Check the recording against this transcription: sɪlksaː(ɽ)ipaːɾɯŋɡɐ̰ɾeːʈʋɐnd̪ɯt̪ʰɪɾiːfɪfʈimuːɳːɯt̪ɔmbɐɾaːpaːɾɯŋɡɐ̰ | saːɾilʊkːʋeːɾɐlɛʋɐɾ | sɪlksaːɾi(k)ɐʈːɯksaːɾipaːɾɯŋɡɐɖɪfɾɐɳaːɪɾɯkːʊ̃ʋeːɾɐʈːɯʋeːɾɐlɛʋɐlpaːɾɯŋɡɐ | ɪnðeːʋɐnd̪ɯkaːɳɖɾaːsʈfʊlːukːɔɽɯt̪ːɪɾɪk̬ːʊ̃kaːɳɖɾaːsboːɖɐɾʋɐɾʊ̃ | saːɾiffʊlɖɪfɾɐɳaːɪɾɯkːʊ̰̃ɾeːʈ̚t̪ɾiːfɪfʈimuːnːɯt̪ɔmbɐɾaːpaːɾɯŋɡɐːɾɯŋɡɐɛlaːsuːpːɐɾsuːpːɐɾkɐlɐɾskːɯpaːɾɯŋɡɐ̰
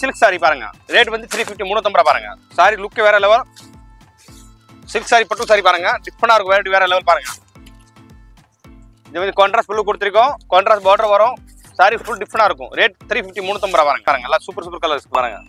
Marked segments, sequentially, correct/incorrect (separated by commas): incorrect, incorrect